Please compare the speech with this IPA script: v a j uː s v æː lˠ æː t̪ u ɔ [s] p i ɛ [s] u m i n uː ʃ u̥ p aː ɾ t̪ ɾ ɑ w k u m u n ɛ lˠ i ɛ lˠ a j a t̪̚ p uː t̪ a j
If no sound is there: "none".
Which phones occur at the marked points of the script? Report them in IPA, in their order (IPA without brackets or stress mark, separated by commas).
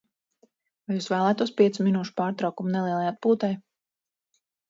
s, s